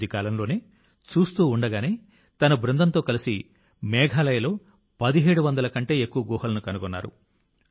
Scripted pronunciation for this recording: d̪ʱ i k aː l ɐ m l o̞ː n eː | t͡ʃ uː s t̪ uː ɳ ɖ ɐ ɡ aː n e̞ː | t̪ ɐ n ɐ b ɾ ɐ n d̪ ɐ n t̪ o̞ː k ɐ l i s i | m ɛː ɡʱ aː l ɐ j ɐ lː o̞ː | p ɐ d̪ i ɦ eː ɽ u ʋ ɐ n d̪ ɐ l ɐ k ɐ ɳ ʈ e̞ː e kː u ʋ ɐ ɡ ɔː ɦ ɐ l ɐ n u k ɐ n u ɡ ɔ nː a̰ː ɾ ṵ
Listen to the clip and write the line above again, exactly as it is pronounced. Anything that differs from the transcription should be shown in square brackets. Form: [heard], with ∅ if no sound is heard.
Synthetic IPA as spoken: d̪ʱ i k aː l ɐ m l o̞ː n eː | t͡ʃ uː s t̪ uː ɳ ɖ ɐ ɡ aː n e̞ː | t̪ ɐ n ɐ b ɾ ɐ n d̪ ɐ n t̪ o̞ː k ɐ l i s i | m ɛː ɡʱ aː l ɐ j ɐ [l] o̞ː | p ɐ d̪ i ɦ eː ɽ u ʋ ɐ n d̪ ɐ l ɐ k ɐ ɳ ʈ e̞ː e kː u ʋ ɐ ɡ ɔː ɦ ɐ l ɐ n u k ɐ n u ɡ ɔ nː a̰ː ɾ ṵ

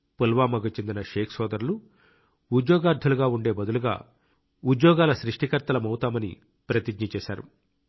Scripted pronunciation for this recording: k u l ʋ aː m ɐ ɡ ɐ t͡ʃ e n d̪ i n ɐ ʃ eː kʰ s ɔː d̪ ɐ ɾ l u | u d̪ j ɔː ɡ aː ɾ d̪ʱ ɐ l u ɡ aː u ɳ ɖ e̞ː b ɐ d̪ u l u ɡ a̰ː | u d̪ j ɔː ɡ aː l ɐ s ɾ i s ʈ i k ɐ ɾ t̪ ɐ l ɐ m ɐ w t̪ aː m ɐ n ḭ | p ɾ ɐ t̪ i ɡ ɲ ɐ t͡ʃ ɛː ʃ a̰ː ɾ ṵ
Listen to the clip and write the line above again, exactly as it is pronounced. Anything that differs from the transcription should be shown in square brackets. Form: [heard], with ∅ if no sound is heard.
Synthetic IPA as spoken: [p] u l ʋ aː m ɐ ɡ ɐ t͡ʃ e n d̪ i n ɐ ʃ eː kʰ s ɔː d̪ ɐ ɾ l u | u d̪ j ɔː ɡ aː ɾ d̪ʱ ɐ l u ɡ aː u ɳ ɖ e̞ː b ɐ d̪ u l u ɡ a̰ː | u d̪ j ɔː ɡ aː l ɐ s ɾ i [ʂ] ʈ i k ɐ ɾ t̪ ɐ l ɐ m ɐ w t̪ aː m ɐ n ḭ | p ɾ ɐ t̪ i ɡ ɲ ɐ t͡ʃ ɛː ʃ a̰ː ɾ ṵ

